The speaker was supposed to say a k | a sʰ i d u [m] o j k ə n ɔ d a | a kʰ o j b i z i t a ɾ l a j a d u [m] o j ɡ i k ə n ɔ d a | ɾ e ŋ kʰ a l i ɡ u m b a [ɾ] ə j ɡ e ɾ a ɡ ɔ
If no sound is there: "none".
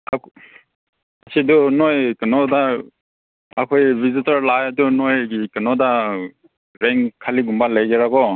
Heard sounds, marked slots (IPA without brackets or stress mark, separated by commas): n, n, l